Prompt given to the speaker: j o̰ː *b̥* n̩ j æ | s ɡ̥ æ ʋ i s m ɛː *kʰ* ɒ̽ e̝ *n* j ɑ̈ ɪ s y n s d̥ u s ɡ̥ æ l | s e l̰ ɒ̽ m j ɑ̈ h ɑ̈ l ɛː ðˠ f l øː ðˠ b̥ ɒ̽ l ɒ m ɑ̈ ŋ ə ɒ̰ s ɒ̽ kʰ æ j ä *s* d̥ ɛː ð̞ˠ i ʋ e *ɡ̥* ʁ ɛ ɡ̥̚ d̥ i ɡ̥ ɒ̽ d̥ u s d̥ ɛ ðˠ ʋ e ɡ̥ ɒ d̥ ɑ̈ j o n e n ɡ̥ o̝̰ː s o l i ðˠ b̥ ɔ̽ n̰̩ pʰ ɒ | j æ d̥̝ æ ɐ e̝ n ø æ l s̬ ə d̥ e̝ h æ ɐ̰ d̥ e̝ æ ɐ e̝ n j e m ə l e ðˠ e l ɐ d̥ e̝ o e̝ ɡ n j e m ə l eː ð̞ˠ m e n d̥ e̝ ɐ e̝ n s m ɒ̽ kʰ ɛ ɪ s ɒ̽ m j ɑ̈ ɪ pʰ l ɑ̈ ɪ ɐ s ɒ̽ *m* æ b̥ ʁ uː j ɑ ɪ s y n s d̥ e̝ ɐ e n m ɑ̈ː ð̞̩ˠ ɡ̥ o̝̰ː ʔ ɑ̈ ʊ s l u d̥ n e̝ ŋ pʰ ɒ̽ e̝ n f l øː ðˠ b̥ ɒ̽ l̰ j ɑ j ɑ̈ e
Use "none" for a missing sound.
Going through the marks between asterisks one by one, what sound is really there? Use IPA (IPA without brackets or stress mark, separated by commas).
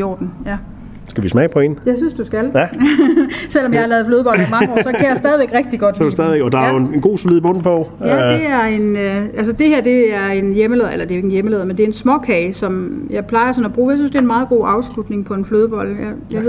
d̥, pʰ, n, s, ɡ̥, n